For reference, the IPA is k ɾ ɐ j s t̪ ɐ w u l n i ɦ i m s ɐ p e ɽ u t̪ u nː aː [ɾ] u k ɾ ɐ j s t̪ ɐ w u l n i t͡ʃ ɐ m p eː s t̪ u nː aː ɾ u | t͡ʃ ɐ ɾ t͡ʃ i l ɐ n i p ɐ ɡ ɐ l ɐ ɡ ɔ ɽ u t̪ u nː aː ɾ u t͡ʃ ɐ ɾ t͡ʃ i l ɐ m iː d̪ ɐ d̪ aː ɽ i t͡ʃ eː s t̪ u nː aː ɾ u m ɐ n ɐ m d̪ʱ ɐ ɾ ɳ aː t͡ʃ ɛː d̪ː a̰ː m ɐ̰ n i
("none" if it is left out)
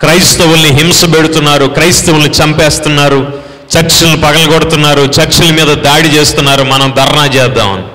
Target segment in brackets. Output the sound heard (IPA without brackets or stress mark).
ɾ